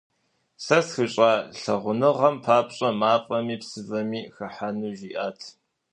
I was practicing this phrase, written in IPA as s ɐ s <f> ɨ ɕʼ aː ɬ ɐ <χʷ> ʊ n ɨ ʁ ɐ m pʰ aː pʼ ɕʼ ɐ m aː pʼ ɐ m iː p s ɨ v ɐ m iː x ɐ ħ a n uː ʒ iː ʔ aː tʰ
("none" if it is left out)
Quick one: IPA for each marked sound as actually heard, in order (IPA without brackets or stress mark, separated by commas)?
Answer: x, ʁʷ